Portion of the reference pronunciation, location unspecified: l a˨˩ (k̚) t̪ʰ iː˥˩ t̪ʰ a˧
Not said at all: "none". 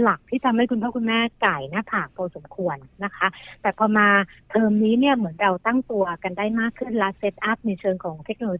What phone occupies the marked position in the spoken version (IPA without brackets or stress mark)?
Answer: k̚